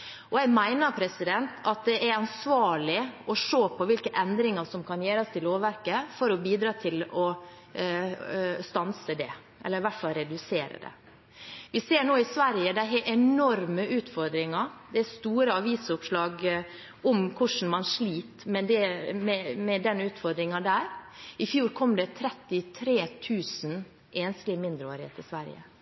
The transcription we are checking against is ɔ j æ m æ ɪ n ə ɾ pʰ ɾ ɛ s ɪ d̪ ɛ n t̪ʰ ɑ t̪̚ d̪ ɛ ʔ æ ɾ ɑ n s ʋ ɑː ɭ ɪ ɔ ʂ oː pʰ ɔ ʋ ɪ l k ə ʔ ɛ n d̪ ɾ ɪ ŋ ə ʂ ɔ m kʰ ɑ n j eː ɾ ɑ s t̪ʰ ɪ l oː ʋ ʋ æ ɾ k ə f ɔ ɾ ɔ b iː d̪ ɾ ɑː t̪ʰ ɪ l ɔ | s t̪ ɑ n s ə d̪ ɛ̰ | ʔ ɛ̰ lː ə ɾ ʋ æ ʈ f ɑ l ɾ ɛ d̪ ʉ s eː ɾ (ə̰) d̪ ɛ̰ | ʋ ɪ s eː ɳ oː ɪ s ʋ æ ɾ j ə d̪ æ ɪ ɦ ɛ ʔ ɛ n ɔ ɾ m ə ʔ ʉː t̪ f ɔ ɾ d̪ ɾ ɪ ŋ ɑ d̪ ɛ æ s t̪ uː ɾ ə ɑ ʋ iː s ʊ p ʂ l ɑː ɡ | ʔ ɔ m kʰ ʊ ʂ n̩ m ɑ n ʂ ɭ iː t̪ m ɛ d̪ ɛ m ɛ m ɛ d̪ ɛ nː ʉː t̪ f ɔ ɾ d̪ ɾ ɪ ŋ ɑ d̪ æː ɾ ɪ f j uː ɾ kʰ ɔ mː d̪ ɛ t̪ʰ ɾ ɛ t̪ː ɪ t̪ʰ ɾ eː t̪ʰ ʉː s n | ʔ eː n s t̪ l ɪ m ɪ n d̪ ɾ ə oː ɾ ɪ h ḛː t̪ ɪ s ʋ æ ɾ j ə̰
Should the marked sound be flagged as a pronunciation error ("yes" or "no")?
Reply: no